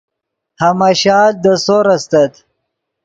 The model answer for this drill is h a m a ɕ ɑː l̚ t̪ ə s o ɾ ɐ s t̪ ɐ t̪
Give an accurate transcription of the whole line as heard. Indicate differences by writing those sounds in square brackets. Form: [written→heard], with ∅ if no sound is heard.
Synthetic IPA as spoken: h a m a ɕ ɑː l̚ [t̪→d̪] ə s o ɾ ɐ s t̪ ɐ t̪